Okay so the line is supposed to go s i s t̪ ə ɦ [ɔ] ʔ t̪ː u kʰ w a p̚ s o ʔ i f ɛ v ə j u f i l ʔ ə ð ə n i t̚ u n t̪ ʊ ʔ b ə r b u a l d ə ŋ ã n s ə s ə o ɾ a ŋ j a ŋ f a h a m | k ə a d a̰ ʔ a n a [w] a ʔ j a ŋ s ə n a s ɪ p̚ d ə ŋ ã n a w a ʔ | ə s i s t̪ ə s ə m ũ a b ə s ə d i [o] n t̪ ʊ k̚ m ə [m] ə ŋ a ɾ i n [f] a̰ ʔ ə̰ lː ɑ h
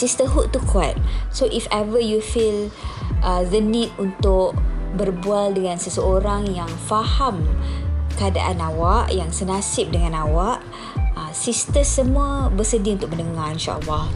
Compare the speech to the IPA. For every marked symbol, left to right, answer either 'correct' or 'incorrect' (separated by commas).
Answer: incorrect, correct, incorrect, incorrect, incorrect